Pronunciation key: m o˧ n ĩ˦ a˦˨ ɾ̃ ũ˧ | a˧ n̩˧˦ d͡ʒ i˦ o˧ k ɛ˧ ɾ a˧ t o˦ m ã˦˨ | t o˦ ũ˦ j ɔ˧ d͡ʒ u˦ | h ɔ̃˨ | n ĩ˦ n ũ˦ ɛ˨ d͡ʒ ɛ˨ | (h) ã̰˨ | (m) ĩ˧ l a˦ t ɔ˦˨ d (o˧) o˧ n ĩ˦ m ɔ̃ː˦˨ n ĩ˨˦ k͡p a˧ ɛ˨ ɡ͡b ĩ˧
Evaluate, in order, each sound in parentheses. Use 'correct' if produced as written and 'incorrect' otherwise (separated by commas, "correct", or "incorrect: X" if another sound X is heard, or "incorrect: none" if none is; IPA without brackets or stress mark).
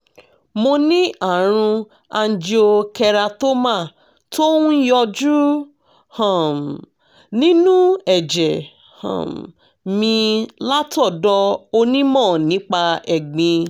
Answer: correct, correct, incorrect: ɔ˧